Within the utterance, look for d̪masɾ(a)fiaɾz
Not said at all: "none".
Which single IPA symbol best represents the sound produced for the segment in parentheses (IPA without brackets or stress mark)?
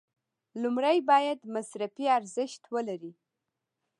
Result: a